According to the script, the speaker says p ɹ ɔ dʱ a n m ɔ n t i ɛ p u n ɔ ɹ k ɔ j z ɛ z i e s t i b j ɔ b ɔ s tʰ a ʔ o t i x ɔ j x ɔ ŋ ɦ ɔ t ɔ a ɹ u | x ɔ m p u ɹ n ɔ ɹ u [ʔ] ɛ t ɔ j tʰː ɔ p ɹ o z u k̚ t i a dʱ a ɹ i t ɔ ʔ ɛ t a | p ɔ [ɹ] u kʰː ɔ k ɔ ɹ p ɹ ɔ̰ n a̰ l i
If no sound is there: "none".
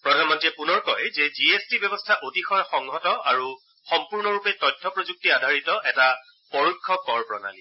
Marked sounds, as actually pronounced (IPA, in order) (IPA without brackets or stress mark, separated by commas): p, ɹ